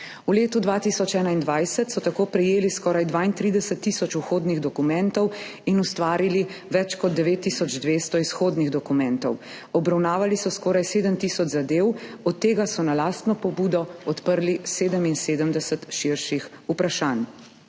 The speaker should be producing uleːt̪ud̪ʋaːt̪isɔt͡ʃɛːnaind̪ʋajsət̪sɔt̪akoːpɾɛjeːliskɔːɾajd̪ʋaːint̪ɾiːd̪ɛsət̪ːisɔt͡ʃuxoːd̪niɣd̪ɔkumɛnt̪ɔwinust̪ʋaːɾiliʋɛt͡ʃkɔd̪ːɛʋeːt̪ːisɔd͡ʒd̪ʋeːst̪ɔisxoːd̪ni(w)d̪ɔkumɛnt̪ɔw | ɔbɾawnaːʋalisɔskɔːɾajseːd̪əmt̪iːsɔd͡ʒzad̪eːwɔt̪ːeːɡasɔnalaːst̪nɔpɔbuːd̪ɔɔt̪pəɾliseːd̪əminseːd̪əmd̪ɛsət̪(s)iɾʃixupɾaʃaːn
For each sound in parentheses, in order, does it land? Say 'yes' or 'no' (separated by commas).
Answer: no, no